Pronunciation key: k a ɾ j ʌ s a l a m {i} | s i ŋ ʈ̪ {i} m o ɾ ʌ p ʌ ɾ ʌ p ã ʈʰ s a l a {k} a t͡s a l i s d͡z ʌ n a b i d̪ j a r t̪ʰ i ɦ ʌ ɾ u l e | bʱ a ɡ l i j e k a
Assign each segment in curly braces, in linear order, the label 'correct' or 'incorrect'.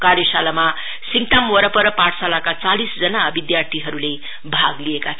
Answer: incorrect, incorrect, correct

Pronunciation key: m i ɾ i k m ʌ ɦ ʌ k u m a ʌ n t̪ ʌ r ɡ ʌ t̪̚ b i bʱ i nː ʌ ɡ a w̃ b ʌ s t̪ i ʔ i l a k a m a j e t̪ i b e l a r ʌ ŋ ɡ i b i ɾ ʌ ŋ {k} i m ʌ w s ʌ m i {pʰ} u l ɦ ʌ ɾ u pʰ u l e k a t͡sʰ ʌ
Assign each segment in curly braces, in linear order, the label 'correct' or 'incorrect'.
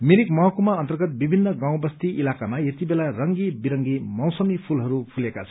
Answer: incorrect, correct

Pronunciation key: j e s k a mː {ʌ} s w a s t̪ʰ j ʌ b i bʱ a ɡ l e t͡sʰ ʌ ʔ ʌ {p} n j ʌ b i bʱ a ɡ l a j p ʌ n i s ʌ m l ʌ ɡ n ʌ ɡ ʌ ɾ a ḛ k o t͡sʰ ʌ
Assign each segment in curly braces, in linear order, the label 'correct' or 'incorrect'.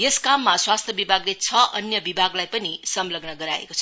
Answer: incorrect, incorrect

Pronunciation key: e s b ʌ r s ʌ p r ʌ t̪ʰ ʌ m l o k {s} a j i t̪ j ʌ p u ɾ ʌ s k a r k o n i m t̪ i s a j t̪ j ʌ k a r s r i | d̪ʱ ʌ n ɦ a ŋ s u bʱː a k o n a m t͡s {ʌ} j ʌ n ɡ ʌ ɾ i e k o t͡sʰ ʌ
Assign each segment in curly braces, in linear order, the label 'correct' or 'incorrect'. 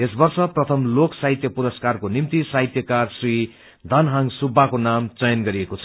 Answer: correct, correct

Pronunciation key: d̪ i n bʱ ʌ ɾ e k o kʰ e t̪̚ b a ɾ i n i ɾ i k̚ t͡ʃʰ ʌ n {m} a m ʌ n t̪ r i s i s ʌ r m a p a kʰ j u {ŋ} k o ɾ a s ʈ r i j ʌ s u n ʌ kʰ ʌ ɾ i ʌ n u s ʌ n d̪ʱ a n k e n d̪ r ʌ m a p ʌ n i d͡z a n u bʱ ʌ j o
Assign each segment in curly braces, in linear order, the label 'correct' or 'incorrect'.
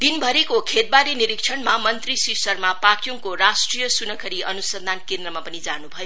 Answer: correct, correct

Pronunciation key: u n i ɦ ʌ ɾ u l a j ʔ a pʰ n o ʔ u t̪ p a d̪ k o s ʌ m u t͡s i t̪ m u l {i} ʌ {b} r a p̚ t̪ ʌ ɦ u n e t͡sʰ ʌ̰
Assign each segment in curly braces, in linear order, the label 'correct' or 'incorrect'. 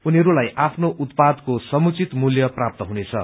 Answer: incorrect, incorrect

